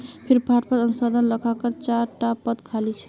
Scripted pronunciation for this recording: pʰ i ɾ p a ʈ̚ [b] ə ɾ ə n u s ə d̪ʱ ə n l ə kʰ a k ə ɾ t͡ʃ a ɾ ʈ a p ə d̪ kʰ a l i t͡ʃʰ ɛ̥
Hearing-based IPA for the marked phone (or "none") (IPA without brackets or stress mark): p